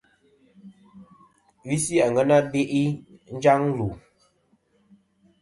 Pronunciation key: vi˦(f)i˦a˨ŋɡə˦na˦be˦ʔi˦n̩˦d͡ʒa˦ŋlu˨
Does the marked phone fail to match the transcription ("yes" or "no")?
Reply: yes